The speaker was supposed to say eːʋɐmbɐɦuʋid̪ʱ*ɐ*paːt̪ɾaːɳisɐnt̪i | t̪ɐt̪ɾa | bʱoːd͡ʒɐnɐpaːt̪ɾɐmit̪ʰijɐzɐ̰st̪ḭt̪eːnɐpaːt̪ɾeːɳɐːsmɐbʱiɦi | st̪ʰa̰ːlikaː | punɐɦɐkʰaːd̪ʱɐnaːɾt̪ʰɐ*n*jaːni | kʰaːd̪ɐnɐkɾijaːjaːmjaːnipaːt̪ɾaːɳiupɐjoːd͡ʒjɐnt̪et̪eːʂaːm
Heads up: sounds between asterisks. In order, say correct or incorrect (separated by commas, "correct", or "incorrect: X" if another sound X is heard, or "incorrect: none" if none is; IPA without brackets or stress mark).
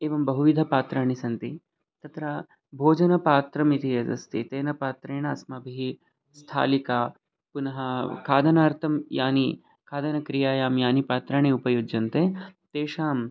correct, incorrect: m